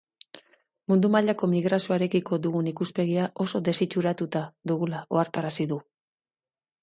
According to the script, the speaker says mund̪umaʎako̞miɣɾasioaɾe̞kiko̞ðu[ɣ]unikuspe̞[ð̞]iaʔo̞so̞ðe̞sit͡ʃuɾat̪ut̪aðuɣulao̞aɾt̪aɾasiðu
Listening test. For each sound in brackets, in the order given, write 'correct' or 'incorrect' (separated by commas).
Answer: correct, incorrect